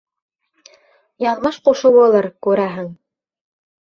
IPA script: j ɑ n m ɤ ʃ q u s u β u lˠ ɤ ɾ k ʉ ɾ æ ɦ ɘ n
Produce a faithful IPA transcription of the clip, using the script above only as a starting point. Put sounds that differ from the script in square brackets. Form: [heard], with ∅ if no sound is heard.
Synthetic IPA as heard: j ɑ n m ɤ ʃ q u [ʃ] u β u lˠ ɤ ɾ k ʉ ɾ æ ɦ ɘ [ŋ]